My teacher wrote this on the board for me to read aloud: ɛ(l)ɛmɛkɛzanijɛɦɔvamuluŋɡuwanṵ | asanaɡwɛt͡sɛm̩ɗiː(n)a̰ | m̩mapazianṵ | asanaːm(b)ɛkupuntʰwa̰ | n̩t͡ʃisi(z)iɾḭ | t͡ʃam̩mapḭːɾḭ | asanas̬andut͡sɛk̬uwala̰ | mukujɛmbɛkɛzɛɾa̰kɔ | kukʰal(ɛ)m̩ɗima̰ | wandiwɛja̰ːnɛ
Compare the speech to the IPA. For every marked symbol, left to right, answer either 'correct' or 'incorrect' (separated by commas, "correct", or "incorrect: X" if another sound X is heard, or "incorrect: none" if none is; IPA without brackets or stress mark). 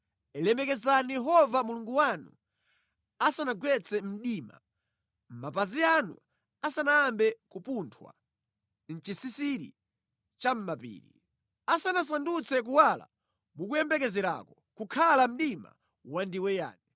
correct, incorrect: m, correct, incorrect: s, incorrect: a